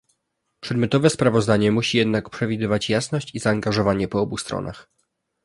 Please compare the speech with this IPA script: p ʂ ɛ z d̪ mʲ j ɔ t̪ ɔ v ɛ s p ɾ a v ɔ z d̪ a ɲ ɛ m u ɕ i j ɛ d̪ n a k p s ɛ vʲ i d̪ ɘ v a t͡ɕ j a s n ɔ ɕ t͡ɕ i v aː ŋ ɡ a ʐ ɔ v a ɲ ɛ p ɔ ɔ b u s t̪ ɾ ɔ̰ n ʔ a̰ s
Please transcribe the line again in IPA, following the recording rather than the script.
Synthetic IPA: p ʂ ɛ d̪ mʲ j ɔ t̪ ɔ v ɛ s p ɾ a v ɔ z d̪ a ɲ ɛ m u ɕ i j ɛ d̪ n a k p ʂ ɛ vʲ i d̪ ɘ v a t͡ɕ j a s n ɔ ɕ t͡ɕ i z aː ŋ ɡ a ʐ ɔ v a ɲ ɛ p ɔ ɔ b u s t̪ ɾ ɔ̰ n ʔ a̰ x